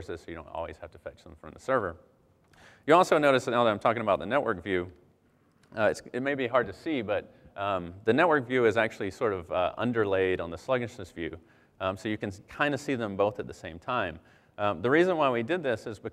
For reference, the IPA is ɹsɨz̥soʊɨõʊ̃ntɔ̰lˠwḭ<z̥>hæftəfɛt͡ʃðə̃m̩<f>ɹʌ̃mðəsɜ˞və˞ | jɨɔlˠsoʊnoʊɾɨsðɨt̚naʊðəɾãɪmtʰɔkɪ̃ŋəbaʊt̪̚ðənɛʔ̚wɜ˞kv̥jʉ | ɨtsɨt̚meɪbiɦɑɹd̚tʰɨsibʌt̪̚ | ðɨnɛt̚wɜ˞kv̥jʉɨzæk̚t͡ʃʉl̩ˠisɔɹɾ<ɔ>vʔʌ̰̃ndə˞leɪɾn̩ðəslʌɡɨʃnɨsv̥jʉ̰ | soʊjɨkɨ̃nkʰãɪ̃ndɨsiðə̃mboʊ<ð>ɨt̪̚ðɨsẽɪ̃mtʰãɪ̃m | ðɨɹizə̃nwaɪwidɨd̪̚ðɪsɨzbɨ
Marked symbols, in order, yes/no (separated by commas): yes, yes, no, no